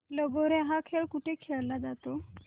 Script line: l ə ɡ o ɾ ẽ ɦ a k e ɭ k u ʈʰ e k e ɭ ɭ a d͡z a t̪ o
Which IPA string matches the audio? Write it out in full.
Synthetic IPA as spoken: l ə ɡ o ɾ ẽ ɦ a kʰ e ɭ k u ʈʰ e kʰ e ɭ l a d͡z a t̪ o